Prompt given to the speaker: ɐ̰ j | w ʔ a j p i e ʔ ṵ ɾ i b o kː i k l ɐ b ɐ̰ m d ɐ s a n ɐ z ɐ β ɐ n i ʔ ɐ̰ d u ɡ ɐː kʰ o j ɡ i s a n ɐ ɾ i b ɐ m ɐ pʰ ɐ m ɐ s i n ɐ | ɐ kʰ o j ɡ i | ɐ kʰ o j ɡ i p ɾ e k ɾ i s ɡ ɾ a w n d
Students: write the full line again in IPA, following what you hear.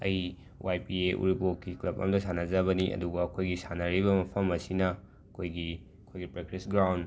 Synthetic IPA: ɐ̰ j | w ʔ a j p i e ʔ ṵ ɾ i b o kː i k l ɐ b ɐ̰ m d ɐ s a n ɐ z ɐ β ɐ n i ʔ ɐ̰ d u ɡ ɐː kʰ o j ɡ i s a n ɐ ɾ i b ɐ m ɐ pʰ ɐ m ɐ s i n ɐ | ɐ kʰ o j ɡ i | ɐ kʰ o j ɡ i p ɾ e k ɾ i s ɡ ɾ a w n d

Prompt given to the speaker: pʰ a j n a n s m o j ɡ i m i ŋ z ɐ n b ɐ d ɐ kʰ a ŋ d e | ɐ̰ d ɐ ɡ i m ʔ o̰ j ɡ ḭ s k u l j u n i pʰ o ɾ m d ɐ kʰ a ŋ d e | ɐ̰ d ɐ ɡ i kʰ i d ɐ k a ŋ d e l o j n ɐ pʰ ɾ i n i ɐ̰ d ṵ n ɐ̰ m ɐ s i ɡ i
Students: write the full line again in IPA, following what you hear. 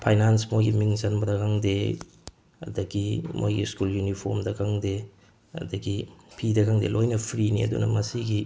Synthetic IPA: pʰ a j n a n s m o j ɡ i m i ŋ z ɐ n b ɐ d ɐ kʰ a ŋ d e | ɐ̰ d ɐ ɡ i m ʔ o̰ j ɡ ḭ s k u l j u n i pʰ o ɾ m d ɐ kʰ a ŋ d e | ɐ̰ d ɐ ɡ i pʰ i d ɐ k a ŋ d e l o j n ɐ pʰ ɾ i n i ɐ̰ d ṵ n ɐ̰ m ɐ s i ɡ i

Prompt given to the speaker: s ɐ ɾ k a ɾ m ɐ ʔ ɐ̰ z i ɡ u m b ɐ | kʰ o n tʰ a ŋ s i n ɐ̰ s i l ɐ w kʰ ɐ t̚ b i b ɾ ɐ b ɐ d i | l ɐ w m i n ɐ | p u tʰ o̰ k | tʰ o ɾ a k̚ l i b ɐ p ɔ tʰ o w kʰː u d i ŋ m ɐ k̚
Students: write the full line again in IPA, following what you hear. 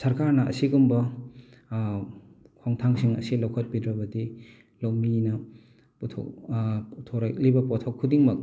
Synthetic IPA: s ɐ ɾ k a ɾ n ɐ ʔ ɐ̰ s i ɡ u m b ɐ | kʰ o ŋ tʰ a ŋ s i ŋ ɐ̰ s i l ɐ w kʰ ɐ t̚ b i d ɾ ɐ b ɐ d i | l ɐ w m i n ɐ | p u tʰ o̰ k | tʰ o ɾ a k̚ l i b ɐ p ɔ tʰ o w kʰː u d i ŋ m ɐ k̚

